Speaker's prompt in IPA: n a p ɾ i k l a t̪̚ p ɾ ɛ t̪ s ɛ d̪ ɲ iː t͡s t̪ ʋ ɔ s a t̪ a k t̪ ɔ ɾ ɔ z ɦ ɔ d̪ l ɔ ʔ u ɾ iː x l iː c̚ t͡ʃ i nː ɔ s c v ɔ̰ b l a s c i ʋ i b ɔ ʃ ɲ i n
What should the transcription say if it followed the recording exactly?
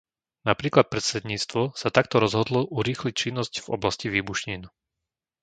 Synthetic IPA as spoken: n a p ɾ iː k l a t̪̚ p ɾ ɛ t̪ s ɛ d̪ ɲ iː t͡s t̪ ʋ ɔ s a t̪ a k t̪ ɔ ɾ ɔ z ɦ ɔ d̪ l ɔ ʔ u ɾ iː x l i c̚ t͡ʃ i nː ɔ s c v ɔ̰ b l a s c i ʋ iː b u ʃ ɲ i n